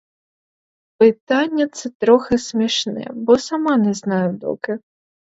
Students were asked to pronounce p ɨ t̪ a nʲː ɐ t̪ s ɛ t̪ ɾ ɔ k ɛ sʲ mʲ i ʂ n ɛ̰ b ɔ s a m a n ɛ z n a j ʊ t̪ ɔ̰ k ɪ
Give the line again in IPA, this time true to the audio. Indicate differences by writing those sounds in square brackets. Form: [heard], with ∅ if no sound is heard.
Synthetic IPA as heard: p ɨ t̪ a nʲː ɐ t̪ s ɛ t̪ ɾ ɔ [x] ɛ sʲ mʲ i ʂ n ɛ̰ b ɔ s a m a n ɛ z n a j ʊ [d̪] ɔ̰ k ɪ

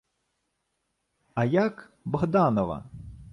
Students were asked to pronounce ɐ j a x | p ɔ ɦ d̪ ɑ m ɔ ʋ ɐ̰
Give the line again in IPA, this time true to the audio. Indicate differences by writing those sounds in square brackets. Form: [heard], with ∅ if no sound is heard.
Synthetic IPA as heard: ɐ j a [k] | [b] ɔ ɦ d̪ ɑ [n] ɔ ʋ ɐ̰

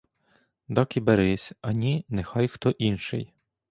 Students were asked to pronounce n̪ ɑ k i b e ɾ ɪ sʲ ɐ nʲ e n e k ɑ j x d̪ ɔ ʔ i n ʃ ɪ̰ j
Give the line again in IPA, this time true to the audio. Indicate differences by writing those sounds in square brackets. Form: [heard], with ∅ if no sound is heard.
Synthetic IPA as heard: [d̪] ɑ k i b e ɾ ɪ sʲ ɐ nʲ [i] n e [x] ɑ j x [t̪] ɔ ʔ i n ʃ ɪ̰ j

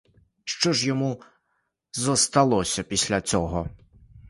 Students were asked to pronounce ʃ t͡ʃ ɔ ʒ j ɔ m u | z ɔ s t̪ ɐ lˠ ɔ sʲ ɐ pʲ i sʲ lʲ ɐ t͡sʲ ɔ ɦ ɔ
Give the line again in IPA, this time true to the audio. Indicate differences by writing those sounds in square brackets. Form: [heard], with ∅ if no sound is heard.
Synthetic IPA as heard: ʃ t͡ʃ ɔ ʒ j ɔ m u | z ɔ s t̪ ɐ lˠ ɔ sʲ ɐ pʲ i sʲ lʲ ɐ t͡sʲ ɔ ɦ ɔ

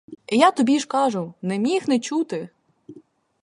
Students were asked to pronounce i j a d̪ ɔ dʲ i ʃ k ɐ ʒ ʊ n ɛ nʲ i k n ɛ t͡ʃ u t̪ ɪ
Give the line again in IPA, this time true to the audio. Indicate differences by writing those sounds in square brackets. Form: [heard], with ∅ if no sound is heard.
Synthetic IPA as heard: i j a [t̪] ɔ [bʲ] i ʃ k [ɑ] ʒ ʊ n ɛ [mʲ] i [x] n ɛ t͡ʃ u t̪ ɪ

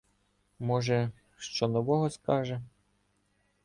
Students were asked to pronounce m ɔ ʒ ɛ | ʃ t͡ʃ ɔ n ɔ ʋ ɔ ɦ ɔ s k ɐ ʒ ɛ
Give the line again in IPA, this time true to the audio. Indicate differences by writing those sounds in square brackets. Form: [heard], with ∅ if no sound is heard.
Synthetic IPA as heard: m ɔ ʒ ɛ | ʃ t͡ʃ ɔ n ɔ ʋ ɔ ɦ ɔ s k [ɑ] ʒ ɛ

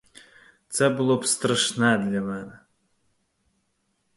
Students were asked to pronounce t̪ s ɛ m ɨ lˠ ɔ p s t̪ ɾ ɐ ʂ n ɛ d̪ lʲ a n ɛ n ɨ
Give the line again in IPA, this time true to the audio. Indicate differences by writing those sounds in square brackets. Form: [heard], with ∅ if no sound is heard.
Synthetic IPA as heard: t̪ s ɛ [b] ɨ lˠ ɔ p s t̪ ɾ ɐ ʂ n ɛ d̪ lʲ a [m] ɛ n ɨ

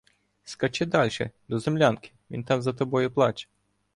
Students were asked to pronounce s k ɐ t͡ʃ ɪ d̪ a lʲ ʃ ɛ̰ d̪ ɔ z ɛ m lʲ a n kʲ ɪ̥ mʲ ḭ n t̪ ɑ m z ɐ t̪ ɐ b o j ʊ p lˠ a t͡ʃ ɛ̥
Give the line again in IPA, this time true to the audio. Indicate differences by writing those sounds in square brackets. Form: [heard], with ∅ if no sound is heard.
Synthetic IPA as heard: s k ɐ t͡ʃ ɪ d̪ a lʲ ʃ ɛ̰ d̪ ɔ z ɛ m lʲ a n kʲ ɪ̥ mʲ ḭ n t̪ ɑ m z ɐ t̪ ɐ b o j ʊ p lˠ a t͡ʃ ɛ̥

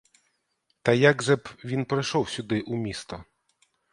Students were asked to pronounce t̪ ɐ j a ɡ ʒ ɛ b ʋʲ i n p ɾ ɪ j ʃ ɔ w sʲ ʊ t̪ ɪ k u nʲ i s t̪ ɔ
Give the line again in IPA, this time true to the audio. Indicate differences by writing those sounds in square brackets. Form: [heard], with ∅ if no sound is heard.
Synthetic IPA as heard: t̪ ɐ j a ɡ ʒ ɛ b ʋʲ i n p ɾ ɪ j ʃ ɔ w sʲ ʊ [d̪] ɪ [ʔ] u [mʲ] i s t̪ ɔ

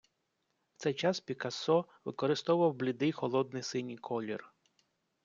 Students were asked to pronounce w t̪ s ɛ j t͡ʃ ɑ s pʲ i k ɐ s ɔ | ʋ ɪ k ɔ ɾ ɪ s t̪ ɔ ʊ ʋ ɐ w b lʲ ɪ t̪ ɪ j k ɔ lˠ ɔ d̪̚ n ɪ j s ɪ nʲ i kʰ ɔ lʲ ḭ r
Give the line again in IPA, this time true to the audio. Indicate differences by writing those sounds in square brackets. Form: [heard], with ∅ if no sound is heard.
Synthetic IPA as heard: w t̪ s ɛ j t͡ʃ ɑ s pʲ i k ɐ s ɔ | ʋ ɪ k ɔ ɾ ɪ s t̪ ɔ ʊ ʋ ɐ w b lʲ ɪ [d̪] ɪ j [x] ɔ lˠ ɔ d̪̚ n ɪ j s ɪ nʲ i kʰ ɔ lʲ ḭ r

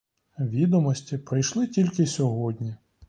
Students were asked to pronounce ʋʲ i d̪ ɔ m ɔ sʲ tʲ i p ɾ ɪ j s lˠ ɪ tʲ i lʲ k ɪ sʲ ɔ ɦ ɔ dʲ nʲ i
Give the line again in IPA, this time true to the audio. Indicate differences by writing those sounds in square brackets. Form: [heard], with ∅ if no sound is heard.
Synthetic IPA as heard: ʋʲ i d̪ ɔ m ɔ sʲ tʲ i p ɾ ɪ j [ʃ] lˠ ɪ tʲ i lʲ k ɪ sʲ ɔ ɦ ɔ dʲ nʲ i

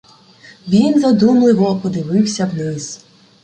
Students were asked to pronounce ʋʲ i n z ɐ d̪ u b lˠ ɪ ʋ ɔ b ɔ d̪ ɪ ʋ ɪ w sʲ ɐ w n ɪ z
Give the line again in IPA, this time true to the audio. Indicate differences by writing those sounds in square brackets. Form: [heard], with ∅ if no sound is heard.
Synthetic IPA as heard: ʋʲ i n z ɐ d̪ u [m] lˠ ɪ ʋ ɔ [p] ɔ d̪ ɪ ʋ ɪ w sʲ ɐ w n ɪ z

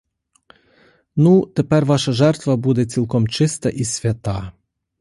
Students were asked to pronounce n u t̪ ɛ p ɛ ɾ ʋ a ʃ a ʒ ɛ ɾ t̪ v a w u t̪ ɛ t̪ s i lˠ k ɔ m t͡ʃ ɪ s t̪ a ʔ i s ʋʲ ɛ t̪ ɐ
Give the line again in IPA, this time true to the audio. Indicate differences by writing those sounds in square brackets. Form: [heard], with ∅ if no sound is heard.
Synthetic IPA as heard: n u t̪ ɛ p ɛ ɾ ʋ a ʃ a ʒ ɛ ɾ t̪ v a [b] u [d̪] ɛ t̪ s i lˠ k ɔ m t͡ʃ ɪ s t̪ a ʔ i s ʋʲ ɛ t̪ [a]

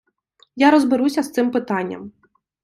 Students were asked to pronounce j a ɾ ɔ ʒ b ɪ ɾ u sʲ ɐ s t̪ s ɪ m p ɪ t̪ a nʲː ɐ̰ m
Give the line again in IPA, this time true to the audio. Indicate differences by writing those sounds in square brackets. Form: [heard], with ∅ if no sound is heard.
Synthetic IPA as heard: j a ɾ ɔ [z] b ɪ ɾ u sʲ ɐ s t̪ s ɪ m p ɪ t̪ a nʲː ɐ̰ m

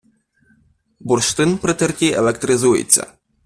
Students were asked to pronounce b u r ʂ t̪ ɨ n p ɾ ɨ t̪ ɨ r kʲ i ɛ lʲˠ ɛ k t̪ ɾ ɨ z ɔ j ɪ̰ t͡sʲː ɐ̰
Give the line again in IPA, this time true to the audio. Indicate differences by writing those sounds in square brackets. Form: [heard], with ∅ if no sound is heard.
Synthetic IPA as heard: b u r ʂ t̪ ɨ n p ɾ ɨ t̪ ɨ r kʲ i ɛ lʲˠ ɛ k t̪ ɾ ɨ z [u] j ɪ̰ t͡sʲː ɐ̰

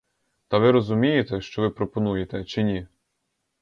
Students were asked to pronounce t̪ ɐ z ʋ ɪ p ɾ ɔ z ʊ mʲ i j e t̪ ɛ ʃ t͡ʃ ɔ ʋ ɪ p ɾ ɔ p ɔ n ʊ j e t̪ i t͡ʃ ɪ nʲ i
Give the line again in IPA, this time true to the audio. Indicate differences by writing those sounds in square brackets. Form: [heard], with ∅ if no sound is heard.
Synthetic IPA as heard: t̪ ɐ [∅] ʋ ɪ [∅] ɾ ɔ z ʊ mʲ i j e t̪ ɛ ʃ t͡ʃ ɔ ʋ ɪ p ɾ ɔ p ɔ n [u] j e t̪ [ɛ] t͡ʃ ɪ nʲ i

